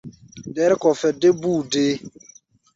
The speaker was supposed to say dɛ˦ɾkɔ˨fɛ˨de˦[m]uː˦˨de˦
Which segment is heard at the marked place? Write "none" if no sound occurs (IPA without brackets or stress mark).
b